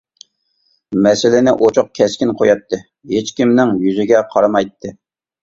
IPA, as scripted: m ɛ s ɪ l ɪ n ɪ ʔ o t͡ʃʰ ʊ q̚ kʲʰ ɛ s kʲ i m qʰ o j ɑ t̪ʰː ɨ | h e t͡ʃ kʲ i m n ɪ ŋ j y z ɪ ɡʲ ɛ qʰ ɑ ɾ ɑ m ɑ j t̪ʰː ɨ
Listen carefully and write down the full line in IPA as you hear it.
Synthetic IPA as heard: m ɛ s ɪ l ɪ n ɪ ʔ o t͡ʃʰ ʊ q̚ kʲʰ ɛ s kʲ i n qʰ o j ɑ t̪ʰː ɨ | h e t͡ʃ kʲ i m n ɪ ŋ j y z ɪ ɡʲ ɛ qʰ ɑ ɾ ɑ m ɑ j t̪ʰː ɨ